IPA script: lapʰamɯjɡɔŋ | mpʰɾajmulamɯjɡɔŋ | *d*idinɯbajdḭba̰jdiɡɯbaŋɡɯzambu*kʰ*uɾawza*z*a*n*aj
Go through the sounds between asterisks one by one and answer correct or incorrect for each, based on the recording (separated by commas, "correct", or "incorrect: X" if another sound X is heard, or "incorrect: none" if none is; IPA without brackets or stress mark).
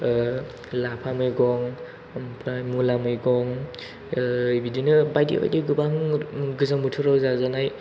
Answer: incorrect: b, incorrect: tʰ, correct, correct